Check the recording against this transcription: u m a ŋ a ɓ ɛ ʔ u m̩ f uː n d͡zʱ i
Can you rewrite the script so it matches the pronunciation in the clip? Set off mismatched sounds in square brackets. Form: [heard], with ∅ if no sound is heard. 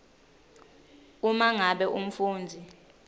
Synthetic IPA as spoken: u m a ŋ a ɓ ɛ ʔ u m̩ f uː n d͡zʱ i